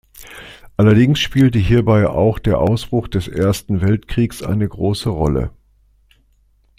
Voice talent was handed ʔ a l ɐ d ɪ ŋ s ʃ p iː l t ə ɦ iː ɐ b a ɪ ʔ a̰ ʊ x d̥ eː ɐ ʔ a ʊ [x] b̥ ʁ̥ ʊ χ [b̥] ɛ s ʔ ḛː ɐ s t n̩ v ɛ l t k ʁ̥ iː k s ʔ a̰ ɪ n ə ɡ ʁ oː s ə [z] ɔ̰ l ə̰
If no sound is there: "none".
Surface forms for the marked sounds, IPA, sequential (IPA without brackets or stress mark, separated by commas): s, d̥, ʁ